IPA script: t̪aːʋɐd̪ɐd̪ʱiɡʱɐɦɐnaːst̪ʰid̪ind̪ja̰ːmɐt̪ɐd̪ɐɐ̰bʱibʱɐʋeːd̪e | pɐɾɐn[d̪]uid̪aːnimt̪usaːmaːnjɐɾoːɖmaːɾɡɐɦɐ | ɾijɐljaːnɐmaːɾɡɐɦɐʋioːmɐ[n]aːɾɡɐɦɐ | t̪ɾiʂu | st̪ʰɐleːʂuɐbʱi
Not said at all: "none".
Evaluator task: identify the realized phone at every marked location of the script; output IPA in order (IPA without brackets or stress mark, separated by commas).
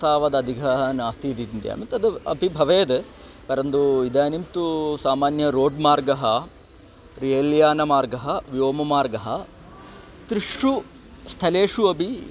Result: d̪, m